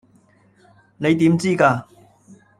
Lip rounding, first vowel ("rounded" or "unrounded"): unrounded